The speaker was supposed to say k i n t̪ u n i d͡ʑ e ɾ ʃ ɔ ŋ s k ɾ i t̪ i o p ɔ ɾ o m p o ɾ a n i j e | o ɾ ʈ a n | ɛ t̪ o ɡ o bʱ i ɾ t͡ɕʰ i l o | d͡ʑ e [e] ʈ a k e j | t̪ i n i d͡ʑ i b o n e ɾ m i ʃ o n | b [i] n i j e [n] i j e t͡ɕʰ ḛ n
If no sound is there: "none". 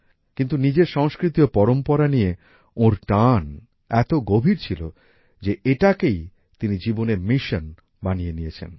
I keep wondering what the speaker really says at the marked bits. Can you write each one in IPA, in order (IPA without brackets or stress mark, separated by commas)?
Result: e, a, n